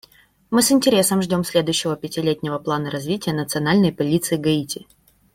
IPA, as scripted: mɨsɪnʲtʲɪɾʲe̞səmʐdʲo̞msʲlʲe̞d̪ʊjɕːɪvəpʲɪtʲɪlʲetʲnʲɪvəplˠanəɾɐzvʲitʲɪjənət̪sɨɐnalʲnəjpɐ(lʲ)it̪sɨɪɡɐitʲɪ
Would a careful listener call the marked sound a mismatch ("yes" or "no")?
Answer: no